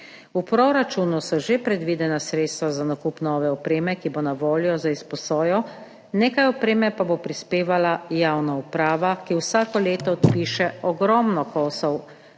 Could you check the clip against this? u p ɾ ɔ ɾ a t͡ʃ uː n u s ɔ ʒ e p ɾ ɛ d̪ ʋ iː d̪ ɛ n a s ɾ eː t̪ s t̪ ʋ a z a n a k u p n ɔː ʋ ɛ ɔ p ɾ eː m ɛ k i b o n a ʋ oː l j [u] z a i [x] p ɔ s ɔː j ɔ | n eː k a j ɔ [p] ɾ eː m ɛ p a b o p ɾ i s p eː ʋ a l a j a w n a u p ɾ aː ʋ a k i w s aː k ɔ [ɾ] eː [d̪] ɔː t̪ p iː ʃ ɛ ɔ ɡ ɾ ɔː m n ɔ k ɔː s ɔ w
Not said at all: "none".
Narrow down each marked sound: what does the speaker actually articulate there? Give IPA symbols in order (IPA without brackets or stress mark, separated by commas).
ɔ, s, p, l, t̪